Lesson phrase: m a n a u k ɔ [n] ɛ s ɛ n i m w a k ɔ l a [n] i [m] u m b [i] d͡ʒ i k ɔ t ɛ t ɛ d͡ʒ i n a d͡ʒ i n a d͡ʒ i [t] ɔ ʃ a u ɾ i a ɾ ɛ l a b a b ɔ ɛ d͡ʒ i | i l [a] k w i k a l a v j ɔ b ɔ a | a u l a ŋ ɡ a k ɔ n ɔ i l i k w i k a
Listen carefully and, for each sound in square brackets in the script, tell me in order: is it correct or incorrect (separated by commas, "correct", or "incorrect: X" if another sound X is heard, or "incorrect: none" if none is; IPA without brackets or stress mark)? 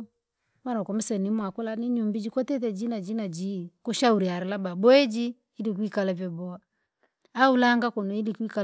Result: incorrect: m, correct, incorrect: ɲ, correct, incorrect: k, incorrect: i